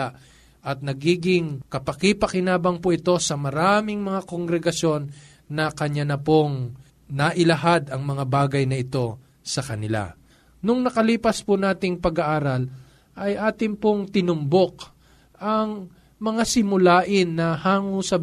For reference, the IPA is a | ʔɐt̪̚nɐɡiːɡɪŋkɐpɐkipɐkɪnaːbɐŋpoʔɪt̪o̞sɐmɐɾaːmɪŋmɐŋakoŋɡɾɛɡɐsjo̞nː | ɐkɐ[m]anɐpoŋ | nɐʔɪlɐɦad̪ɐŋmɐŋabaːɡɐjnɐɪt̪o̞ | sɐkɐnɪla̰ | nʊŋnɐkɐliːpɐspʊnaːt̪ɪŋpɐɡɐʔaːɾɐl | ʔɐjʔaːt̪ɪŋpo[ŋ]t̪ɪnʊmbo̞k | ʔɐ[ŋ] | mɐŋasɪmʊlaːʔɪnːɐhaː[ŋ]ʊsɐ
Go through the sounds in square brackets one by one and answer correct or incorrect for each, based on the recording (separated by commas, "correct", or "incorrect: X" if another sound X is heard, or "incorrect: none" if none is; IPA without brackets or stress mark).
incorrect: ɲ, correct, correct, correct